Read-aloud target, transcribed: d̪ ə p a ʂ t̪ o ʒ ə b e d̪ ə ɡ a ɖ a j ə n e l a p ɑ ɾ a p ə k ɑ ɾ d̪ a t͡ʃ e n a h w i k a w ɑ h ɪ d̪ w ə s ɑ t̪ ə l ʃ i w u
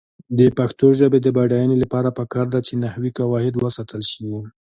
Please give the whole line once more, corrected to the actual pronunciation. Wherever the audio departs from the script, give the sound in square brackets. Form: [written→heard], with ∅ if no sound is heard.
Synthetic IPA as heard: d̪ ə p a [ʂ→x] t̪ o ʒ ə b e d̪ ə [ɡ→b] a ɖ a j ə n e l a p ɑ ɾ a p ə k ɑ ɾ d̪ a t͡ʃ e n a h w i k a w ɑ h ɪ d̪ w ə s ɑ t̪ ə l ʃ i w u